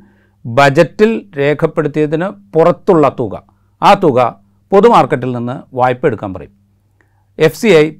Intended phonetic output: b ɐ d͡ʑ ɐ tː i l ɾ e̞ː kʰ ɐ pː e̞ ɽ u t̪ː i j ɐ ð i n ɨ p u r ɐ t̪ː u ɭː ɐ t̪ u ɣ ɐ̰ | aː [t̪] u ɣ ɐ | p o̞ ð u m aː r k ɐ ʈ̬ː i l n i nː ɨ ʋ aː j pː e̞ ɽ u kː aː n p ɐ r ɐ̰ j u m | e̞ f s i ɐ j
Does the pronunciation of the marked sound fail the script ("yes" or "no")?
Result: no